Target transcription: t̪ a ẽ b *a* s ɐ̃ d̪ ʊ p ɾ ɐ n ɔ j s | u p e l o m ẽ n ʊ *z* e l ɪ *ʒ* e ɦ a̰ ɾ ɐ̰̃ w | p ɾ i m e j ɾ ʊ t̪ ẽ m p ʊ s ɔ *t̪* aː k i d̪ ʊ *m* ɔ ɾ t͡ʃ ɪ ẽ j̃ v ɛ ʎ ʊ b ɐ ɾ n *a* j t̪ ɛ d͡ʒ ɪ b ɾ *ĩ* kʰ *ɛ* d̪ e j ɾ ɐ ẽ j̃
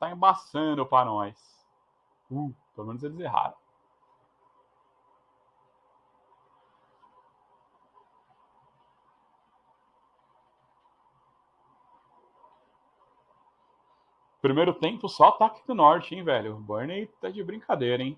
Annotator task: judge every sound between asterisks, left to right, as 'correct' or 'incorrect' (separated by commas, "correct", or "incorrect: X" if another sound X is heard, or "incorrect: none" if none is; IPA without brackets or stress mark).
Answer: correct, correct, incorrect: z, correct, incorrect: n, incorrect: e, correct, incorrect: a